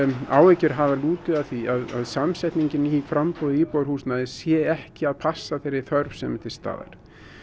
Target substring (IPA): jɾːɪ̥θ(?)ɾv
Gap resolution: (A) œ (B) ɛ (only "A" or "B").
A